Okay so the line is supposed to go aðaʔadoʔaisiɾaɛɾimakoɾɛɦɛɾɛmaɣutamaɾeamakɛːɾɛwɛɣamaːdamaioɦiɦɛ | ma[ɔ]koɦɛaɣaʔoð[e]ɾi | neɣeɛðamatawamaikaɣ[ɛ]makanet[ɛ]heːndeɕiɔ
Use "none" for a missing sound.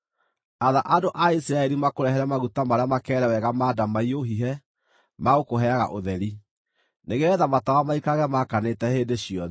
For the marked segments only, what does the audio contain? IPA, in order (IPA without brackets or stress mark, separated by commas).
o, ɛ, ɛ, ɛ